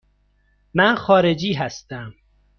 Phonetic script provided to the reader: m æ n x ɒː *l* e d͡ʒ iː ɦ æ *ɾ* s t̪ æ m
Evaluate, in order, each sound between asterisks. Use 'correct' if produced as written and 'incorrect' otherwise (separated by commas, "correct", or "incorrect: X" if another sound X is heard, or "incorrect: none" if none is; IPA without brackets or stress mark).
incorrect: ɾ, incorrect: none